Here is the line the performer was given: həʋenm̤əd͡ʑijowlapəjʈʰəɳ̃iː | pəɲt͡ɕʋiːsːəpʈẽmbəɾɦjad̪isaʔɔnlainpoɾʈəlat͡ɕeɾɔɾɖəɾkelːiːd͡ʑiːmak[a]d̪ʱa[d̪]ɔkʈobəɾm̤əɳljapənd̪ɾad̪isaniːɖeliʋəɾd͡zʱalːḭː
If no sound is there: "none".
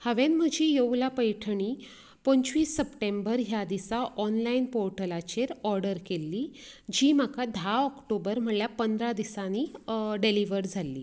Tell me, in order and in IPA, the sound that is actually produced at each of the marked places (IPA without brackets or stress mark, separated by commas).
a, none